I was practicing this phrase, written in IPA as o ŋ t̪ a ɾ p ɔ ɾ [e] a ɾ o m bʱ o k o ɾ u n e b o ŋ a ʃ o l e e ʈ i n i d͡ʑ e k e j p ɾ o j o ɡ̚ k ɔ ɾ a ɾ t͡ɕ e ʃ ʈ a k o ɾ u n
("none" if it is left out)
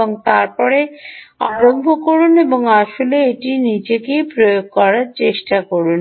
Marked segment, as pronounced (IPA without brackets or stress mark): e